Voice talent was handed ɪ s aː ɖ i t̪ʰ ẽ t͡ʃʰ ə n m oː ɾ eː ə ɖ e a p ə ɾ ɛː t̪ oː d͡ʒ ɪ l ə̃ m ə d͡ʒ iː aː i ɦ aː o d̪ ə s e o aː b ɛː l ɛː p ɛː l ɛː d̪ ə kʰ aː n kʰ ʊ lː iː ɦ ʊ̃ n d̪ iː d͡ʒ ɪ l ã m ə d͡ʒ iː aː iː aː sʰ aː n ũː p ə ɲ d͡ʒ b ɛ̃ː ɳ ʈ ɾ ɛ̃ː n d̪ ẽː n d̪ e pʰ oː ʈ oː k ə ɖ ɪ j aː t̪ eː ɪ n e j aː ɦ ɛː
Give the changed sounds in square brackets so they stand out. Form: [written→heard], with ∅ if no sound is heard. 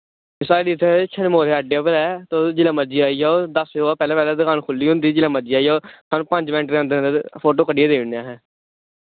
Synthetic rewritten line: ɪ s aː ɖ i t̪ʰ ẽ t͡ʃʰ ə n m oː ɾ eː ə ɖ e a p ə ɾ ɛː t̪ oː d͡ʒ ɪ l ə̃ m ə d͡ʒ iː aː i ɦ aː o d̪ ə s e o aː [b→p] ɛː l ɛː p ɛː l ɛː d̪ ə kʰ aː n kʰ ʊ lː iː ɦ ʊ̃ n d̪ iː d͡ʒ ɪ l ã m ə d͡ʒ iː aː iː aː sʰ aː n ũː p ə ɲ d͡ʒ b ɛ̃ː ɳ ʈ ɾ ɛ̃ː n d̪ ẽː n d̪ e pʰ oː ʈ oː k ə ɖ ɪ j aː [t̪→d̪] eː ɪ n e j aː ɦ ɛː